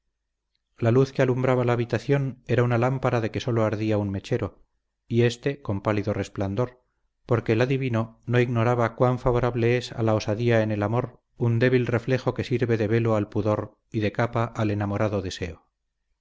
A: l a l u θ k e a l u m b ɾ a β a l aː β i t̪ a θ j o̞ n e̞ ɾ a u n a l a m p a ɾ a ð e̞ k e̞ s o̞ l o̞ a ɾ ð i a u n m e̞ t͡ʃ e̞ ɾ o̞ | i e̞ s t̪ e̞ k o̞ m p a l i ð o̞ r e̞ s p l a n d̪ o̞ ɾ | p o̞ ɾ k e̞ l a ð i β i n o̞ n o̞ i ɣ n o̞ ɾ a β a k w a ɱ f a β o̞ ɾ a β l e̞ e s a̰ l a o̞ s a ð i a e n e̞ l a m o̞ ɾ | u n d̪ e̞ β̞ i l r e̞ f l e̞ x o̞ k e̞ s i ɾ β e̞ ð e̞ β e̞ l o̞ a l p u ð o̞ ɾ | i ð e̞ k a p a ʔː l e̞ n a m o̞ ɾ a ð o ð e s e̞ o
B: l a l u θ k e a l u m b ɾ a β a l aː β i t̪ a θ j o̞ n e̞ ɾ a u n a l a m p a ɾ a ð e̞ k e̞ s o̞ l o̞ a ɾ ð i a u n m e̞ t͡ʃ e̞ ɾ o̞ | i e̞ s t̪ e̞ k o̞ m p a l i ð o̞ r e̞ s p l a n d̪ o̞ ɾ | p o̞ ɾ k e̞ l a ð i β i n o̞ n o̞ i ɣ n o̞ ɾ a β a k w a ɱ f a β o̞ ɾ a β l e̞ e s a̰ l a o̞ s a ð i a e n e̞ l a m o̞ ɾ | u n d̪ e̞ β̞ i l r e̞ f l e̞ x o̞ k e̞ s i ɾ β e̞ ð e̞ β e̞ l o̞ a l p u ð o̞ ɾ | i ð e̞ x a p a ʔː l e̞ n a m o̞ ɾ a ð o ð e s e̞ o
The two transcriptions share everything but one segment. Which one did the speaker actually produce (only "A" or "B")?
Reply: A